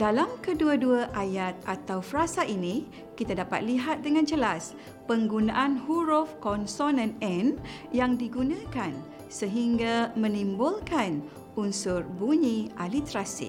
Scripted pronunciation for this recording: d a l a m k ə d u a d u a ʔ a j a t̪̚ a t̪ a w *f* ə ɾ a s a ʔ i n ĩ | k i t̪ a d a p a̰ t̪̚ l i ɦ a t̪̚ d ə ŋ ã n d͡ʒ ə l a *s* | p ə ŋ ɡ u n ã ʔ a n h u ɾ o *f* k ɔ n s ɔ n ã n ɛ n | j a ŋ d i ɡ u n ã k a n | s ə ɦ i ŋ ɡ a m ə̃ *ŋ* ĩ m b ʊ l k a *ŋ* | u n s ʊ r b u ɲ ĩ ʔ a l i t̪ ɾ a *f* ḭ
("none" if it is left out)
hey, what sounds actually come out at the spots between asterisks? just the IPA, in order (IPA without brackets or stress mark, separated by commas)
f, s, f, n, n, s